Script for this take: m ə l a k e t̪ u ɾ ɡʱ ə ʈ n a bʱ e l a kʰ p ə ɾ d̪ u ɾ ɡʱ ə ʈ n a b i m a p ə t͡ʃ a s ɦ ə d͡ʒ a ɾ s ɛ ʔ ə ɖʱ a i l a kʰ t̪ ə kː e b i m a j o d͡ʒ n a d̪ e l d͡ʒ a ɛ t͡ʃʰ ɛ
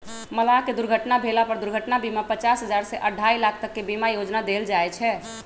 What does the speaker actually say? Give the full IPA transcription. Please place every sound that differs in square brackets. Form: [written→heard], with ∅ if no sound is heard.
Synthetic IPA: m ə l a k e [t̪→d̪] u ɾ ɡʱ ə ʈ n a bʱ e l a [kʰ→∅] p ə ɾ d̪ u ɾ ɡʱ ə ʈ n a b i m a p ə t͡ʃ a s ɦ ə d͡ʒ a ɾ s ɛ ʔ ə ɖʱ a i l a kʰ t̪ ə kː e b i m a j o d͡ʒ n a d̪ e l d͡ʒ a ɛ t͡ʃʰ ɛ